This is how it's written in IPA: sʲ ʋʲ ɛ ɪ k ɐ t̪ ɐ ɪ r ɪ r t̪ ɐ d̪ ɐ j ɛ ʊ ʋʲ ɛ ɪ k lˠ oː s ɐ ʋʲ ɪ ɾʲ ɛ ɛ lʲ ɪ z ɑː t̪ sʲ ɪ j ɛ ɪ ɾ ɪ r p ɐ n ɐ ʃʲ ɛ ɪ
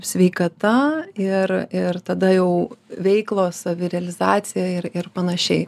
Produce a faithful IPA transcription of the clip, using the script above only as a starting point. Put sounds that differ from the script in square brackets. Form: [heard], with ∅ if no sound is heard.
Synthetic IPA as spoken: sʲ ʋʲ ɛ ɪ k ɐ t̪ ɐ ɪ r ɪ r t̪ ɐ d̪ ɐ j ɛ ʊ ʋʲ ɛ ɪ k lˠ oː s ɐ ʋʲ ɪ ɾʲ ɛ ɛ lʲ ɪ z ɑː t̪ sʲ ɪ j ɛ ɪ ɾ ɪ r p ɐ n ɐ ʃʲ ɛ ɪ